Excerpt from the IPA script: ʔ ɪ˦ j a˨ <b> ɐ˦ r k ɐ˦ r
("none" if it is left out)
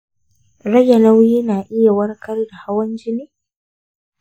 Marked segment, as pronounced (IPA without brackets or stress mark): w